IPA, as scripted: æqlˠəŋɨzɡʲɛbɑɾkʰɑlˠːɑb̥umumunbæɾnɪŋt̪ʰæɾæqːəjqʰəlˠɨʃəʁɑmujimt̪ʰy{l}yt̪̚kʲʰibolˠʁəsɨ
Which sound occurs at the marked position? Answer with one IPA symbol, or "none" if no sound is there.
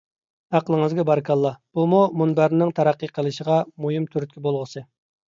ɾ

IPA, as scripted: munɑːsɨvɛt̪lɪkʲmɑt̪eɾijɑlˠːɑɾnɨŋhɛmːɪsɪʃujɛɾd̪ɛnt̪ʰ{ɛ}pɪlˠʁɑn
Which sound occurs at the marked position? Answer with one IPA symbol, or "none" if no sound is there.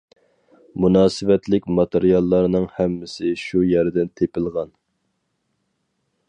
e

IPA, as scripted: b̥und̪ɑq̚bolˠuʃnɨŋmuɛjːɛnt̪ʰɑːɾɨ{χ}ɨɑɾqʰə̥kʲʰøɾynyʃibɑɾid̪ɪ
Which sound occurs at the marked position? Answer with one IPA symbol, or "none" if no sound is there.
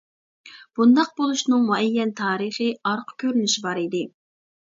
χ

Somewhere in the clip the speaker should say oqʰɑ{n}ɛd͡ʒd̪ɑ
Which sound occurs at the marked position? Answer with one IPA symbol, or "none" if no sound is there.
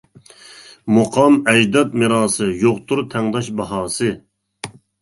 m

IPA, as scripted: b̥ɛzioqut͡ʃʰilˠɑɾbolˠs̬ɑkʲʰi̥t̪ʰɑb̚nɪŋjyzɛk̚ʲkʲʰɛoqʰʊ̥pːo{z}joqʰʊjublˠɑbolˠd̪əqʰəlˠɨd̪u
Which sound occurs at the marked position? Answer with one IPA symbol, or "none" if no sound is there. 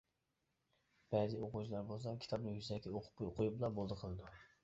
none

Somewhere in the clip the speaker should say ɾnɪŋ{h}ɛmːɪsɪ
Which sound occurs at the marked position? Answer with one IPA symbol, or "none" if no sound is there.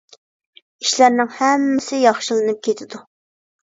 h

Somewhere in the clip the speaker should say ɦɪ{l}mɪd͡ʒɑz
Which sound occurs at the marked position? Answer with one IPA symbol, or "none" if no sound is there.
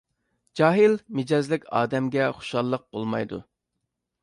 l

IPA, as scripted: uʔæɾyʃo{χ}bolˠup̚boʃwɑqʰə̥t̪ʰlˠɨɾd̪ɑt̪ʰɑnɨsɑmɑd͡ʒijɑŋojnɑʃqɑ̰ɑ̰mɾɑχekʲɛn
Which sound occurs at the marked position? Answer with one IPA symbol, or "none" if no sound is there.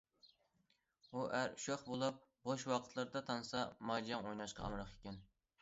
χ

